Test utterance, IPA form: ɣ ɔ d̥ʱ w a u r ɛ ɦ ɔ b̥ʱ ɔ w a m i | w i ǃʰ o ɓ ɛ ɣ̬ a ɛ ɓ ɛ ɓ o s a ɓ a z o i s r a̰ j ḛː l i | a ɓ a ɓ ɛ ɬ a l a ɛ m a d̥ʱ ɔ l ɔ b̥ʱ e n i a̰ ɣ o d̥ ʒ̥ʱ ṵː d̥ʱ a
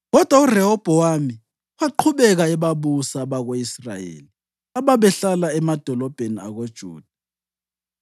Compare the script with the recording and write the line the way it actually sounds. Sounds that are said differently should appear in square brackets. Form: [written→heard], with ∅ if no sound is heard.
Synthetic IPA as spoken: ɣ ɔ d̥ʱ w a u r ɛ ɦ ɔ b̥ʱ ɔ w a m i | w [i→a] ǃʰ [o→u] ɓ ɛ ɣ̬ a ɛ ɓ [ɛ→a] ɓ [o→u] s a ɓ a [z→ɣ] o i s r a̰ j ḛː l i | a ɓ a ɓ ɛ ɬ a l a ɛ m a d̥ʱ ɔ l ɔ b̥ʱ e n i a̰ ɣ o d̥ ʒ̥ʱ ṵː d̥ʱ a